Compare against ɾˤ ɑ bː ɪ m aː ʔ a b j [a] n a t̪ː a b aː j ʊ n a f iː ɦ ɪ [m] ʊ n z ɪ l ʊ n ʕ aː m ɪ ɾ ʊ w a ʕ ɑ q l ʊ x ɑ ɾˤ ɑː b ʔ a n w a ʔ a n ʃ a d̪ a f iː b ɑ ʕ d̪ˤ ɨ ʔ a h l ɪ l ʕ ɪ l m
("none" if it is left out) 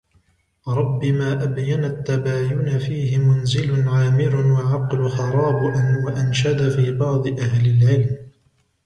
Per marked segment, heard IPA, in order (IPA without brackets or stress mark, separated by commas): a, m